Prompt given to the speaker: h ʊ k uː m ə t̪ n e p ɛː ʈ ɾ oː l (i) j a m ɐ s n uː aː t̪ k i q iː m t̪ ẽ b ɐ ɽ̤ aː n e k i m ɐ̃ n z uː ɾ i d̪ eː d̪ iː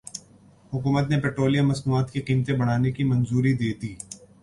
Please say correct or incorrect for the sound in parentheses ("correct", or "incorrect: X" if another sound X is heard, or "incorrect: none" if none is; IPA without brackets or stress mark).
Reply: correct